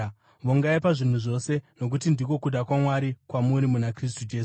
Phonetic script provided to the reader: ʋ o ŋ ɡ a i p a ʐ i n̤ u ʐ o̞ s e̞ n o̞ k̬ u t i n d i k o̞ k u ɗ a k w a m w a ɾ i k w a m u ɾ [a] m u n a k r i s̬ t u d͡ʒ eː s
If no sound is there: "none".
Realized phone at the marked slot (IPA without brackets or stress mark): i